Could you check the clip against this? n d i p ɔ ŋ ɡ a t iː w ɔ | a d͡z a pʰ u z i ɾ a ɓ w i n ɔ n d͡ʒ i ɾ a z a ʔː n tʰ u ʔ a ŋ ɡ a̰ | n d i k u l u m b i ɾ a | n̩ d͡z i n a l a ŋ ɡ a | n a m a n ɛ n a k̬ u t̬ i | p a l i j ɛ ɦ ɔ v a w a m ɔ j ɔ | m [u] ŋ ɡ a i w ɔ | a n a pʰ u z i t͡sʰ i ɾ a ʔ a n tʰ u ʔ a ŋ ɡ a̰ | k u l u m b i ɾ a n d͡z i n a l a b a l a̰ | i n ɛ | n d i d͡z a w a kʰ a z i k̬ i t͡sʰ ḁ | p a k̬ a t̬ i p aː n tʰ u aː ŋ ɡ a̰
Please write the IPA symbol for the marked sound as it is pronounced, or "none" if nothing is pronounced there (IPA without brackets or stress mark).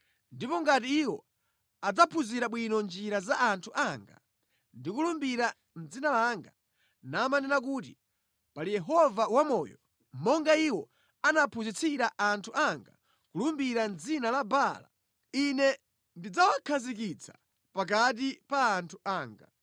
ɔ